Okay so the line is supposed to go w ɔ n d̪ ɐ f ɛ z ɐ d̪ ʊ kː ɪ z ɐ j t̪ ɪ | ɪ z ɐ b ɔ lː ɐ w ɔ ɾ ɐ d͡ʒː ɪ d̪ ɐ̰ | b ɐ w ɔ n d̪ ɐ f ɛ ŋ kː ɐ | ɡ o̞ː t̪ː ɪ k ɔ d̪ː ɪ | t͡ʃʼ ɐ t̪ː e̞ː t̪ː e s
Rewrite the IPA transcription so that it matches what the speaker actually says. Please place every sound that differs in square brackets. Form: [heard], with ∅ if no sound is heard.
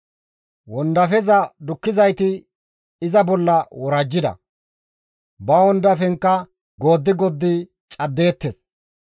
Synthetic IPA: w ɔ n d̪ ɐ f ɛ z ɐ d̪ ʊ kː ɪ z ɐ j t̪ ɪ | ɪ z ɐ b ɔ lː ɐ w ɔ ɾ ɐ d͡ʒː ɪ d̪ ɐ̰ | b ɐ w ɔ n d̪ ɐ f ɛ ŋ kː ɐ | ɡ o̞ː [d̪ː] ɪ [ɡ] ɔ d̪ː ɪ | t͡ʃʼ ɐ [d̪ː] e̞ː t̪ː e s